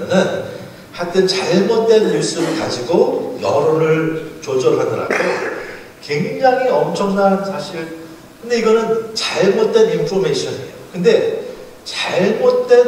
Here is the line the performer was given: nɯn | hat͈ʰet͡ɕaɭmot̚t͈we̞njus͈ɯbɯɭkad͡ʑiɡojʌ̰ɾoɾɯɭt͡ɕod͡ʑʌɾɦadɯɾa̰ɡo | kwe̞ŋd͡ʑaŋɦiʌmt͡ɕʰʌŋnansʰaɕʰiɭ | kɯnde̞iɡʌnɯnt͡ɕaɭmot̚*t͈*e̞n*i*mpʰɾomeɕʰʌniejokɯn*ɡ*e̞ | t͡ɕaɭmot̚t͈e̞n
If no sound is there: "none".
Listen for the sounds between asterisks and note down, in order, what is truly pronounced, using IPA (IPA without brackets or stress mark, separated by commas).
t͈, i, d